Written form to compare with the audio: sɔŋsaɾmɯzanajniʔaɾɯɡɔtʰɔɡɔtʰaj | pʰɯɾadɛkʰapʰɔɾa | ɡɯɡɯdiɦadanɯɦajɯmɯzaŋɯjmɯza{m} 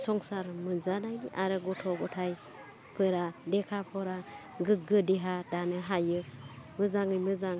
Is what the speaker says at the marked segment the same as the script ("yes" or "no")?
no